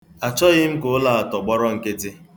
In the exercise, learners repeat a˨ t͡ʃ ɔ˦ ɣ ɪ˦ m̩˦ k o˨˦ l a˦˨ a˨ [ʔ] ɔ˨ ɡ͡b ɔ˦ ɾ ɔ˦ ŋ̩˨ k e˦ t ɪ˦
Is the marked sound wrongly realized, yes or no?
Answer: yes